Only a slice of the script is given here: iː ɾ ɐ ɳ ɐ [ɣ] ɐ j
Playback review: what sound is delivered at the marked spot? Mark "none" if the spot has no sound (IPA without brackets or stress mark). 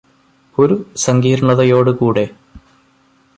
ð